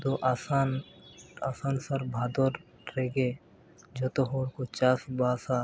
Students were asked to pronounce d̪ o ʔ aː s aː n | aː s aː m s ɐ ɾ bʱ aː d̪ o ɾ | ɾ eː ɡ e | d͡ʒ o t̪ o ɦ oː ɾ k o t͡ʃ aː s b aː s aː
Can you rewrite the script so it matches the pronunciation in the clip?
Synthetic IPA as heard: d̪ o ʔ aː s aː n | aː s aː n s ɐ ɾ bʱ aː d̪ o ɾ | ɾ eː ɡ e | d͡ʒ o t̪ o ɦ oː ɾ k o t͡ʃ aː s b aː s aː